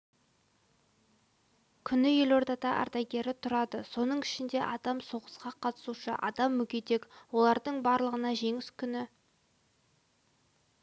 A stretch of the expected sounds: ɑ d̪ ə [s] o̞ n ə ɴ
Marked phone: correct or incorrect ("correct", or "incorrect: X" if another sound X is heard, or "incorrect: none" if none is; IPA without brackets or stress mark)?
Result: correct